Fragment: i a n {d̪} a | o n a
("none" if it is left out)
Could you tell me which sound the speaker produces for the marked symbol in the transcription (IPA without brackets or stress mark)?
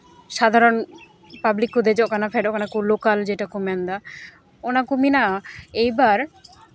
d̪